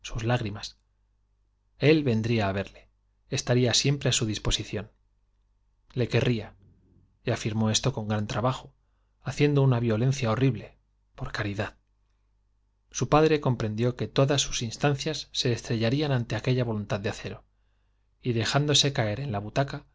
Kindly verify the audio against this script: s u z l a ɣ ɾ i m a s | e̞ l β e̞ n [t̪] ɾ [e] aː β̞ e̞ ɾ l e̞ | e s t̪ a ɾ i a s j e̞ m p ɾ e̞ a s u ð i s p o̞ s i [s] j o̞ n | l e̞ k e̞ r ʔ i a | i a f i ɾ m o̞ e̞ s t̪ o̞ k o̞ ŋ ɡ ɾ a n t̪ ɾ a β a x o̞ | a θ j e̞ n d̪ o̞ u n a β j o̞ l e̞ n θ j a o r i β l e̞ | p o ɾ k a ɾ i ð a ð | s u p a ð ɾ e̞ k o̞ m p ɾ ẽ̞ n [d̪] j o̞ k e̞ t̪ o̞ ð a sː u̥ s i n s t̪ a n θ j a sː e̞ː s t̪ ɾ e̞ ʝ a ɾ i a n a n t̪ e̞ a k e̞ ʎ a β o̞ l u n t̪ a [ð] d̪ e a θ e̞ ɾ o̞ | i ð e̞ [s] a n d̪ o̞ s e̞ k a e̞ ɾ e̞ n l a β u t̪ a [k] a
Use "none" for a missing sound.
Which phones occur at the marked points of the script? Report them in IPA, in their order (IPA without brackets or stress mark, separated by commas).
d̪, i, θ, d̪, ð, x, k